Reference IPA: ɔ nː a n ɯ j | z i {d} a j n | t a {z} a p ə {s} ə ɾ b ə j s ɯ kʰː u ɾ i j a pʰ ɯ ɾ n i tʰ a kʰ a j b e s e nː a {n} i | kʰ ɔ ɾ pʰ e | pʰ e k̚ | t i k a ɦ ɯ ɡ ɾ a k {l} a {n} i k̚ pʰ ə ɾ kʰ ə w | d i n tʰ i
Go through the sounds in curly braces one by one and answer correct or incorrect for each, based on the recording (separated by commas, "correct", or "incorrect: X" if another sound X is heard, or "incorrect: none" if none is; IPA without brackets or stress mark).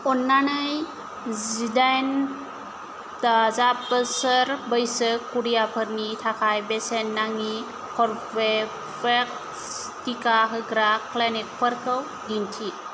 correct, correct, correct, incorrect: ŋ, correct, correct